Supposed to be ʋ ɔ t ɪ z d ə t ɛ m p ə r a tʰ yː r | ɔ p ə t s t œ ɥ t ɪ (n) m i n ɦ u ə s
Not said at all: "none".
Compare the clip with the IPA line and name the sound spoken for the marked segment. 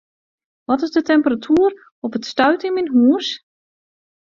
n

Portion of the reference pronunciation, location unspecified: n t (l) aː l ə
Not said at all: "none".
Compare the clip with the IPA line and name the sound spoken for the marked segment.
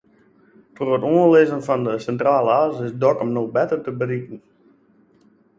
r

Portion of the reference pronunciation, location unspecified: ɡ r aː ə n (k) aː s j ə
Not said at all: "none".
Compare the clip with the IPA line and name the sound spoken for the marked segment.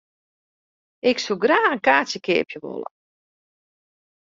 k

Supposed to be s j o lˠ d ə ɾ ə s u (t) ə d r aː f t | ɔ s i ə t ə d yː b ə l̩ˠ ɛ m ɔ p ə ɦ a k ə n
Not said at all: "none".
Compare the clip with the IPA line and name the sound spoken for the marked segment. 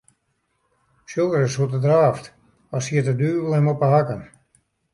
t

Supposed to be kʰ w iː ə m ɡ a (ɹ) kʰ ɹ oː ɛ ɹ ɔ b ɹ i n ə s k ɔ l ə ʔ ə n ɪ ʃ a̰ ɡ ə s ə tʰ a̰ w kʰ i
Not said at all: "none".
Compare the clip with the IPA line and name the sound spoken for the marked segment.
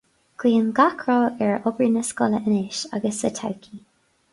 none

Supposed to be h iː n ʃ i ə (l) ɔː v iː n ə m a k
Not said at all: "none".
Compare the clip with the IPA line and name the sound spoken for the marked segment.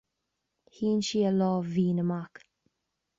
l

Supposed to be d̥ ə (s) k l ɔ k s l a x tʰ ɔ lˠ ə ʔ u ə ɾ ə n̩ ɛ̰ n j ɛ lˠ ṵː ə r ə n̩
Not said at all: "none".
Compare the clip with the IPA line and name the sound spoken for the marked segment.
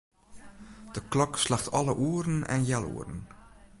none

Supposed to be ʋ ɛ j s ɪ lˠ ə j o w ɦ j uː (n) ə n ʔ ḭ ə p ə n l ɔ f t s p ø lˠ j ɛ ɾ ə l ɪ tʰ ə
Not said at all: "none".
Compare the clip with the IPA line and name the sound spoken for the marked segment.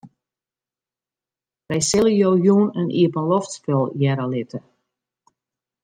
n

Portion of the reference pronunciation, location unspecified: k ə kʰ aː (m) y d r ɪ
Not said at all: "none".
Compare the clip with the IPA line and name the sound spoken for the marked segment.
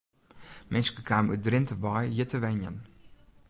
m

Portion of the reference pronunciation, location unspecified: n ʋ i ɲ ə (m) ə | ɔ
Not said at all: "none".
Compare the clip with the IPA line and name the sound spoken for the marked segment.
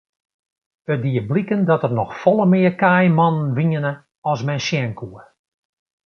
n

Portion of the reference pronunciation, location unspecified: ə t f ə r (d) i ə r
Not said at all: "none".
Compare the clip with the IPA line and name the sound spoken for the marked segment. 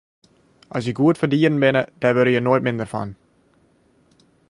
d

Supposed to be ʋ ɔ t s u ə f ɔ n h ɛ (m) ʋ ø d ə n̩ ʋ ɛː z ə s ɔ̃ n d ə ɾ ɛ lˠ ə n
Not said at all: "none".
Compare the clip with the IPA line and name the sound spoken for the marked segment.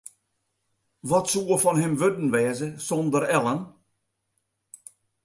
m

